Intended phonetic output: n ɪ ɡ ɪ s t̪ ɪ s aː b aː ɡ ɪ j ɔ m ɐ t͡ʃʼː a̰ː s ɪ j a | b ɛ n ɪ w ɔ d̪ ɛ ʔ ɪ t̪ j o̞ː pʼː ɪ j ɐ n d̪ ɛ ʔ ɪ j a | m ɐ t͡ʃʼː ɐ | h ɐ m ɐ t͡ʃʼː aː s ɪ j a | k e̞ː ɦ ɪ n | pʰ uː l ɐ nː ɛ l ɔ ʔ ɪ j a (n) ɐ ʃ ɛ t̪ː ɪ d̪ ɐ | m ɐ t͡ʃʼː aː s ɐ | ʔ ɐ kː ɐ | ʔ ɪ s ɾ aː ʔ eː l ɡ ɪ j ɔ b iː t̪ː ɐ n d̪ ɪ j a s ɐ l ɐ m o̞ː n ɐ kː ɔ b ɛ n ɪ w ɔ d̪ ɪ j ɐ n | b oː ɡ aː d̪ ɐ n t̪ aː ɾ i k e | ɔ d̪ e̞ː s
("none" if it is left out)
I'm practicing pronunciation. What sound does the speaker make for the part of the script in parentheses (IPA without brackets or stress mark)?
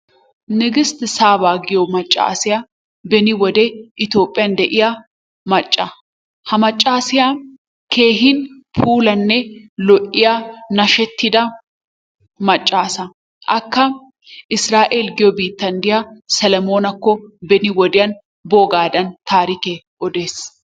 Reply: n